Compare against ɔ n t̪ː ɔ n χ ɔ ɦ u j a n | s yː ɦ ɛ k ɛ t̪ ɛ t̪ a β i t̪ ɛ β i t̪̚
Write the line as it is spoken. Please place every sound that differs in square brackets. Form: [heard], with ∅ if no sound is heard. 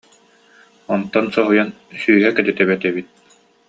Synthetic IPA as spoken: ɔ n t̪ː ɔ n [s] ɔ ɦ u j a n | s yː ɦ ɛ k ɛ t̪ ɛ t̪ [ɛ] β [ɛ] t̪ ɛ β i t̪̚